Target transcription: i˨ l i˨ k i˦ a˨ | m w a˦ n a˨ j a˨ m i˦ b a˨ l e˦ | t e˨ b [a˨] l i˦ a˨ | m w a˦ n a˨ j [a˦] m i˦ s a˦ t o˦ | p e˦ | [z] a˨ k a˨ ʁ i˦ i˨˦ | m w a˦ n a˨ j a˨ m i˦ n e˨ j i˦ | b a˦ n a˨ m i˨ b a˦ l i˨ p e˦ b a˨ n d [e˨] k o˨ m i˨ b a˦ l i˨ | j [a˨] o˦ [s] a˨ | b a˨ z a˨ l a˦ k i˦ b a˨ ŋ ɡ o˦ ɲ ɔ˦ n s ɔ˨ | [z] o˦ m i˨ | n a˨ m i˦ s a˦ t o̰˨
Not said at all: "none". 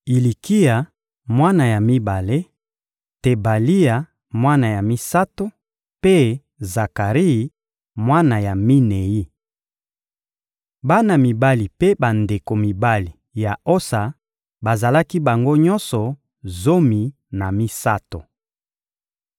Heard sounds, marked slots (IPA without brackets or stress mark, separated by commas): a˨, a˨, z, e˨, a˨, s, z